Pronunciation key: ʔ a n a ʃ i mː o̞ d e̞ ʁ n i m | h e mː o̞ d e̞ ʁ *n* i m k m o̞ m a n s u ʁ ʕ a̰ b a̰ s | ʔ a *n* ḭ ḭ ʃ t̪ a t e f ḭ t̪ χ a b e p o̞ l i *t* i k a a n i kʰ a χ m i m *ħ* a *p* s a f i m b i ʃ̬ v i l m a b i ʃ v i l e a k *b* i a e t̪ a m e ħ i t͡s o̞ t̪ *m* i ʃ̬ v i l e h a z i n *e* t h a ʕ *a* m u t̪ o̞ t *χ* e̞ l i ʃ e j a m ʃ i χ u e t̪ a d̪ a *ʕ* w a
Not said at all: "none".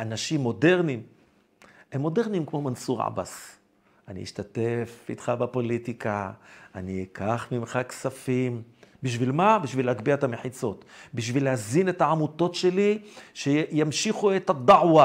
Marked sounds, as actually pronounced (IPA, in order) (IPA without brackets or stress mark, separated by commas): n, n, t, χ, k, b, b, e, a, ʃ, ʕ